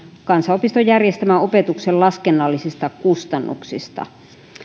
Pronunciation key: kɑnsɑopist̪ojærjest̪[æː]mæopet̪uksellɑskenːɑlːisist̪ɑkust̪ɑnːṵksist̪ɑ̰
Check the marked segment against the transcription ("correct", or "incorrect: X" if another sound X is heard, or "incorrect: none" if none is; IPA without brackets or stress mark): incorrect: æ